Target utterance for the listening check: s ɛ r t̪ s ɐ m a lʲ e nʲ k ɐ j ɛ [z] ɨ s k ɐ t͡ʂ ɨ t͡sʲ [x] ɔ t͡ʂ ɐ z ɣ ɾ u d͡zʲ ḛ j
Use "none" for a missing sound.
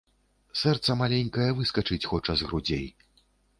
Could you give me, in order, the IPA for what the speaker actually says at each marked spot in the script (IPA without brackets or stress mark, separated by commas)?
v, x